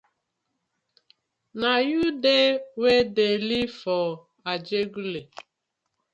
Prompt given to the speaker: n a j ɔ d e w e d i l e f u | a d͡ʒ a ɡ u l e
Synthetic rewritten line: n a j u d e w e d e l i f ɔ | a d͡ʒ e ɡ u l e